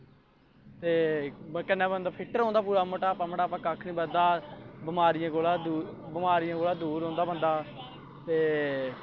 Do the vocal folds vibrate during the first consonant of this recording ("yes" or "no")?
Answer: no